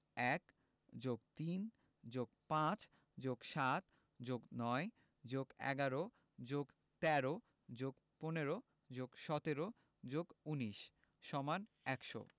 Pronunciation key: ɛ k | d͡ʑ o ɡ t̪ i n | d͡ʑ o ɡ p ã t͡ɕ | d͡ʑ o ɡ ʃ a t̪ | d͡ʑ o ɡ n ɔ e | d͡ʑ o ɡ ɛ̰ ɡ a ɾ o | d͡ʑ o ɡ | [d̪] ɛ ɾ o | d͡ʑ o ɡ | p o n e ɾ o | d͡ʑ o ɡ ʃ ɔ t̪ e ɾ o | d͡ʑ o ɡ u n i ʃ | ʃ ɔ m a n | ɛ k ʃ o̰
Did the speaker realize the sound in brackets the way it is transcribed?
no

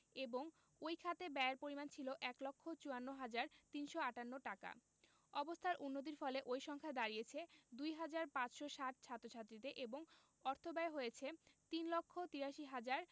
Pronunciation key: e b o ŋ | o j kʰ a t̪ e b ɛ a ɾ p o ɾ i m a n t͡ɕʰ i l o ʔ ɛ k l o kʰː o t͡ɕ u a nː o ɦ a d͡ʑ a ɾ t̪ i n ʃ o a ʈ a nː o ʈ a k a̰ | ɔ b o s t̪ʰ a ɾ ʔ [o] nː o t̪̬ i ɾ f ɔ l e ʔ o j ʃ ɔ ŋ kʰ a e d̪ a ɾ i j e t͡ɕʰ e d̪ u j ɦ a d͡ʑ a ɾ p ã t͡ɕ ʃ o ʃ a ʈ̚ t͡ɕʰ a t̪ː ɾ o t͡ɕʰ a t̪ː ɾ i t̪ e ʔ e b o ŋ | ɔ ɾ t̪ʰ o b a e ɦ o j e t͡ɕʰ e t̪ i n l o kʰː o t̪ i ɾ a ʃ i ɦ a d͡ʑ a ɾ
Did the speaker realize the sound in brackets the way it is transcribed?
no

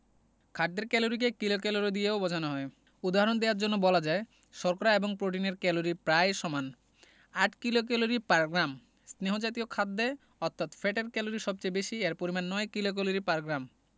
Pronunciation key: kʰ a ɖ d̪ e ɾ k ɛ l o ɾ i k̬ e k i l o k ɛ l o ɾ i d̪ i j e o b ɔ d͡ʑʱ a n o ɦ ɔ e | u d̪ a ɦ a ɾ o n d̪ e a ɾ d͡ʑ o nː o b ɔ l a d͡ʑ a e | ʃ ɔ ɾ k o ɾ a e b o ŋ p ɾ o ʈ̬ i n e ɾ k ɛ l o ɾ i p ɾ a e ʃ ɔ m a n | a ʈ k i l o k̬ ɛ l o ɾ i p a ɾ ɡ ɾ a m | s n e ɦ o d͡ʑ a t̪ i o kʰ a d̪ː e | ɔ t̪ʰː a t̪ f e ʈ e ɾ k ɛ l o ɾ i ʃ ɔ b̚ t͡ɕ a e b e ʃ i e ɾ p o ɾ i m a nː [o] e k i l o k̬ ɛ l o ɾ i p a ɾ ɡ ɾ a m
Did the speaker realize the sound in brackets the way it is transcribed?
no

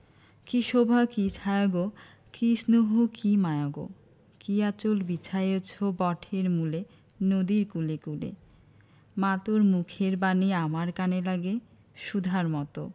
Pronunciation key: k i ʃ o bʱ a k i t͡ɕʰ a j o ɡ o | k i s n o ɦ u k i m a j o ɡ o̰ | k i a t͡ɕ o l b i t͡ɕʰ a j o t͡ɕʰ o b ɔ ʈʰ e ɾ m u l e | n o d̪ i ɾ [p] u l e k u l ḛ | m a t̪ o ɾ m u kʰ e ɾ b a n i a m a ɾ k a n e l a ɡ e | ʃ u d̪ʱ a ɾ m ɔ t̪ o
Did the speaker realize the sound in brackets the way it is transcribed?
no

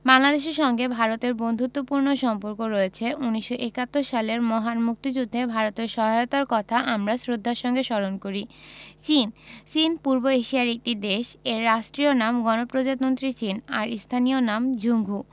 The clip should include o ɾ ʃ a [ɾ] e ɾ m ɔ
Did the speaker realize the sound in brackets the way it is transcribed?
no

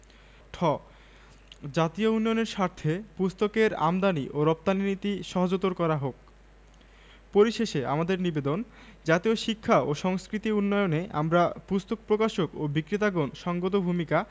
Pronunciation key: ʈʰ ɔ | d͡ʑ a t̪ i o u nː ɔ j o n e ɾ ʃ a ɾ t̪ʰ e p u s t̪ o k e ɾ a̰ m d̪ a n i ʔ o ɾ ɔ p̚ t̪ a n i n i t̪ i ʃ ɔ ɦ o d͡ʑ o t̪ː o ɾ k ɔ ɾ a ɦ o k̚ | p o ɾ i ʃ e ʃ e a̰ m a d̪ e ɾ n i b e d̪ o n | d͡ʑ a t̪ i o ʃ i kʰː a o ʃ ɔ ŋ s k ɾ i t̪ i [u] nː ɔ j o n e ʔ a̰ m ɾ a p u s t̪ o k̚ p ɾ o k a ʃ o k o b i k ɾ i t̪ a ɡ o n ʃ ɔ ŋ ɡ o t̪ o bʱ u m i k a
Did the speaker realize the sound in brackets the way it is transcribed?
yes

